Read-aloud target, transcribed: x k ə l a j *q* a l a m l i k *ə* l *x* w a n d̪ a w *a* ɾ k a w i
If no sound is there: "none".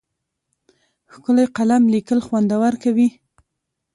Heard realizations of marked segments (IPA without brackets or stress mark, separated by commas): q, ə, x, a